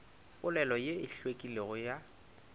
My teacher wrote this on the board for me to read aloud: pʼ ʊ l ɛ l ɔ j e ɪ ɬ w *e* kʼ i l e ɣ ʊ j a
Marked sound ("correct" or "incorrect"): correct